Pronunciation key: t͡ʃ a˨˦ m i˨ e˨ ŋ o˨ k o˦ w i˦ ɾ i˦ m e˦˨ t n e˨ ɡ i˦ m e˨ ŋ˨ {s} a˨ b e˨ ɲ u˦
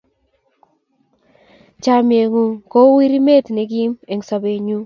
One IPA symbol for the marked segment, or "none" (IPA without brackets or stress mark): s